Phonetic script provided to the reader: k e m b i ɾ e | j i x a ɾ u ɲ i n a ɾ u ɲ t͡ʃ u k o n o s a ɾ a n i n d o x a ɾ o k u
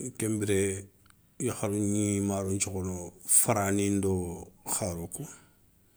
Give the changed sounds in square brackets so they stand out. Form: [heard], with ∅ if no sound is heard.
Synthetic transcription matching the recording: k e m b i ɾ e | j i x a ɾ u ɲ i [m] a ɾ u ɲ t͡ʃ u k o n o [f] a ɾ a n i n d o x a ɾ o k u